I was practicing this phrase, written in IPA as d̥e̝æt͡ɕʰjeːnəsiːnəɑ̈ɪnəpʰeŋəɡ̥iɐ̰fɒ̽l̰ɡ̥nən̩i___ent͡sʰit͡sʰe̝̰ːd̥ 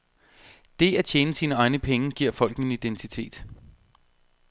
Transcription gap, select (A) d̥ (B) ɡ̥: A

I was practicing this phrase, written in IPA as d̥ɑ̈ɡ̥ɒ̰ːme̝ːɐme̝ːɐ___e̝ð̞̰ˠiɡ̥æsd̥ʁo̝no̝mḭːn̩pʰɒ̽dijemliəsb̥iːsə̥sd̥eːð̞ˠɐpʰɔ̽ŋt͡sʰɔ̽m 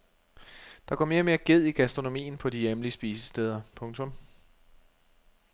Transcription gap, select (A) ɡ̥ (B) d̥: A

